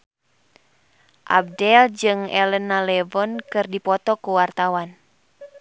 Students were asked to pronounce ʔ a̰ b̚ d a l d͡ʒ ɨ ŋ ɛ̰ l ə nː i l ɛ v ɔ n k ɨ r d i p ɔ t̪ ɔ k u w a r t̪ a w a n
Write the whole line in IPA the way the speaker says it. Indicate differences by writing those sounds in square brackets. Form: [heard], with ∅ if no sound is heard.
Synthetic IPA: ʔ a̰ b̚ d [ɛ] l d͡ʒ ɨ ŋ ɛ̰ l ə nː [a] l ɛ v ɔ n k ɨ r d i p ɔ t̪ ɔ k u w a r t̪ a w a n